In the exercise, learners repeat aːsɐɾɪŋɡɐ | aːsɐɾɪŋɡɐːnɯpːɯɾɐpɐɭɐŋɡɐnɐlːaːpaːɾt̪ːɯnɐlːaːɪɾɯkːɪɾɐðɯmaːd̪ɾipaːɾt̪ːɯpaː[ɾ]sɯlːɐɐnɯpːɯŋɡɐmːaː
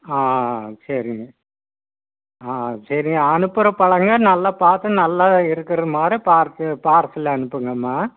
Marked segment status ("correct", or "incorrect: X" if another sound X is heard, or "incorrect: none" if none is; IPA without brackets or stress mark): correct